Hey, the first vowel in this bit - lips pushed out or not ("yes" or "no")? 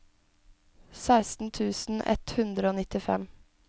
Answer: no